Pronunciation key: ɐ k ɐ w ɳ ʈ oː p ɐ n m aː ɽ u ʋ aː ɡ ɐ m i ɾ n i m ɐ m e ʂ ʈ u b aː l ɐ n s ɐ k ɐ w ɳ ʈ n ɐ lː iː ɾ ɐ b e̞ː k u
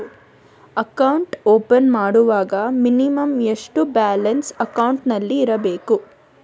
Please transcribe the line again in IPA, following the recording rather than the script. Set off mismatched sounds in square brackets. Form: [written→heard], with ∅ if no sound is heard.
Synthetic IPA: ɐ k ɐ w ɳ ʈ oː p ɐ n m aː ɽ u ʋ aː ɡ ɐ m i [ɾ→∅] n i m ɐ m e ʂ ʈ u b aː l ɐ n s ɐ k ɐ w ɳ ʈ n ɐ lː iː ɾ ɐ b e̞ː k u